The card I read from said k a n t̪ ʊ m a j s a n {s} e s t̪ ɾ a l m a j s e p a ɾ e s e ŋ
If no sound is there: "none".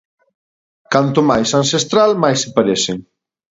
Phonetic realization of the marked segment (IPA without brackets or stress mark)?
s